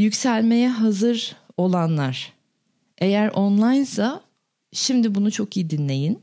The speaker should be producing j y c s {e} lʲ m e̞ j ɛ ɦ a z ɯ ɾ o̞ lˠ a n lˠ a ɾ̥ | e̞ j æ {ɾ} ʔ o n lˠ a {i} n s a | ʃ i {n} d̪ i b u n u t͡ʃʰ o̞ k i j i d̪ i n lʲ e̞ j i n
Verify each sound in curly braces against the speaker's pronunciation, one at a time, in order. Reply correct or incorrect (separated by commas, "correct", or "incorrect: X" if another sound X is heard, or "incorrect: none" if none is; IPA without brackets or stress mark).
incorrect: æ, correct, incorrect: j, incorrect: m